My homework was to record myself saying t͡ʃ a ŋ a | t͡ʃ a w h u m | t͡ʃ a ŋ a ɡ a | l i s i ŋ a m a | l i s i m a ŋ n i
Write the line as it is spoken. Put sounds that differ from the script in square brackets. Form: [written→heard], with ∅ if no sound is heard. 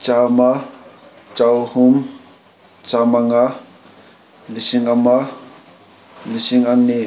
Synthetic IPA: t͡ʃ a [ŋ→m] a | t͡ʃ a w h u m | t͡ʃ a [ŋ→m] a [ɡ→ŋ] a | l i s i ŋ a m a | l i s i [m→ŋ] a ŋ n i